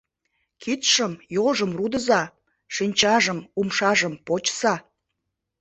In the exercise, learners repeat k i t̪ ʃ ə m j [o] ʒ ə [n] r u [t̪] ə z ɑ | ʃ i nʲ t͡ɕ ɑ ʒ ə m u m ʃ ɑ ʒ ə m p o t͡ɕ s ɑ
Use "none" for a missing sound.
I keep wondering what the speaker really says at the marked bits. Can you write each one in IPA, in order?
o, m, d̪

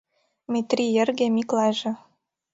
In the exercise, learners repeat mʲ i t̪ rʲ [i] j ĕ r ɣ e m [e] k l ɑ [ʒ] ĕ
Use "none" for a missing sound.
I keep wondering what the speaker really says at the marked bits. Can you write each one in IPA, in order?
i, i, ʒ

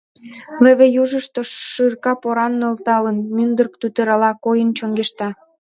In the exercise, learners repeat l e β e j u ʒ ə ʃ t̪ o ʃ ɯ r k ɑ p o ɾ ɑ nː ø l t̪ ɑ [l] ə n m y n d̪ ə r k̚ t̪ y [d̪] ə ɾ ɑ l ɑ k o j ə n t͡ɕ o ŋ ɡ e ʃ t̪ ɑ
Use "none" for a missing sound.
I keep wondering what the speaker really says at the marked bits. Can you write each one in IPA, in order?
l, t̪

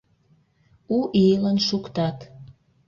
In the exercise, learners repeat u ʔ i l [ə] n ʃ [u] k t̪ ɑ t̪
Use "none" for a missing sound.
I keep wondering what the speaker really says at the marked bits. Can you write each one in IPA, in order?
ə, u

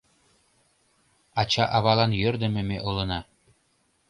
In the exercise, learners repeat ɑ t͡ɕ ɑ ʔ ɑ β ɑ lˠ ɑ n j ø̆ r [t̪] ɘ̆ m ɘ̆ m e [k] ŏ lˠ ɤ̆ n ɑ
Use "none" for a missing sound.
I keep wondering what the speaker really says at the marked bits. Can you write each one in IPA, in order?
d̪, ʔ

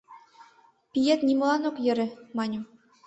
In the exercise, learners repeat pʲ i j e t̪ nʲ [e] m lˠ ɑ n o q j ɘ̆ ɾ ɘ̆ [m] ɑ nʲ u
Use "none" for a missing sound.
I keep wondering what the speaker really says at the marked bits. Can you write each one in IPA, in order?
i, m

